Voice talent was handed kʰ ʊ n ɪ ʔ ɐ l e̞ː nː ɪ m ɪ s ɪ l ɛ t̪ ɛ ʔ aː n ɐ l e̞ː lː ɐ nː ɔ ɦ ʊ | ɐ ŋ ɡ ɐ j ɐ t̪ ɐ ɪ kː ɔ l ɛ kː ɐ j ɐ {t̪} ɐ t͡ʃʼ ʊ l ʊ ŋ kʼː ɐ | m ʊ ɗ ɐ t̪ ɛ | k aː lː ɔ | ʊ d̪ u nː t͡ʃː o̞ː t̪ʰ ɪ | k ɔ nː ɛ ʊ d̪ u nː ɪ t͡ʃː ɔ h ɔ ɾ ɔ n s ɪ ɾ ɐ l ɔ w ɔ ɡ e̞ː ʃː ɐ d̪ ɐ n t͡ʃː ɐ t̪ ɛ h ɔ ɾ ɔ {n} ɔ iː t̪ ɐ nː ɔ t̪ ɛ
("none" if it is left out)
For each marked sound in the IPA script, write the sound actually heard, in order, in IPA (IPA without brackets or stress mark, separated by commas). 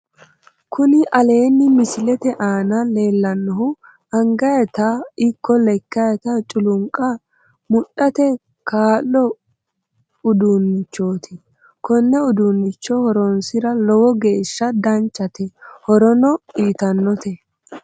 t̪, n